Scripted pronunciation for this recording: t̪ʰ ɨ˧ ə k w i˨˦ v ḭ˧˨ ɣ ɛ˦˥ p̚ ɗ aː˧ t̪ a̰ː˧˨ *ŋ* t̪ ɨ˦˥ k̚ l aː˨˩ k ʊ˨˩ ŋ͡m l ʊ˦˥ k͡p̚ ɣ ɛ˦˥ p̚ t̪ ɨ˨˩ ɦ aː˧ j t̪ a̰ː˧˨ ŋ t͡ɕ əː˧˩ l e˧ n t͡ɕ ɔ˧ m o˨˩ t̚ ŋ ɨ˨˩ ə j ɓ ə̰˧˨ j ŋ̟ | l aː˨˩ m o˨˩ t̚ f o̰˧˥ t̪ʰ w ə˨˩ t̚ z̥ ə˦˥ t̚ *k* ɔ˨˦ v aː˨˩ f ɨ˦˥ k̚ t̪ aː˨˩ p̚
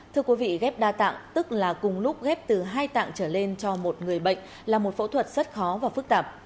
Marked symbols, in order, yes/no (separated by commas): yes, no